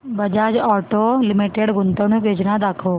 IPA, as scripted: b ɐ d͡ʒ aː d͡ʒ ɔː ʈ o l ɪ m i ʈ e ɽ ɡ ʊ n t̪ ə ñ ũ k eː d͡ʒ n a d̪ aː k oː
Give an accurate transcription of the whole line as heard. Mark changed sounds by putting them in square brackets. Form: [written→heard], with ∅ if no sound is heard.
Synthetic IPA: b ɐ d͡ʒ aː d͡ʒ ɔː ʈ o l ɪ m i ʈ e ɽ ɡ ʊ n t̪ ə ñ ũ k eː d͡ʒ n a d̪ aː [k→kʰ] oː